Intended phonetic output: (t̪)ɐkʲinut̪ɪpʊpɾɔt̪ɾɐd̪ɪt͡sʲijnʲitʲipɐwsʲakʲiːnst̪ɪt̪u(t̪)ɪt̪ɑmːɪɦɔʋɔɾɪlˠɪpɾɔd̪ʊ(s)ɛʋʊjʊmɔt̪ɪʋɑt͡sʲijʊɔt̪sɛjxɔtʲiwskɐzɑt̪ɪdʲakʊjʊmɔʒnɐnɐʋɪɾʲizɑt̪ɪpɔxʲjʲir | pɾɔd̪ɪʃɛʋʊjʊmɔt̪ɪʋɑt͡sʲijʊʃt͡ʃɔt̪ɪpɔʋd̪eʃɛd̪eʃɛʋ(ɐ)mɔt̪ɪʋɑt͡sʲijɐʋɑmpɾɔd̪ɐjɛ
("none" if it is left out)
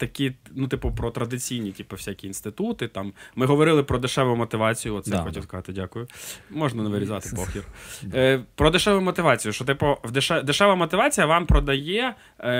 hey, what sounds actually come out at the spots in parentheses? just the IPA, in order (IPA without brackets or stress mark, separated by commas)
t̪, t̪, ʃ, ɐ